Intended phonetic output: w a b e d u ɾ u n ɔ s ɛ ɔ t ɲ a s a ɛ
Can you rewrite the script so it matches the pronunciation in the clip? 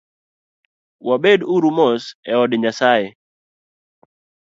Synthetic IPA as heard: w a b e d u ɾ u m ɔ s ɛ ɔ d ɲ a s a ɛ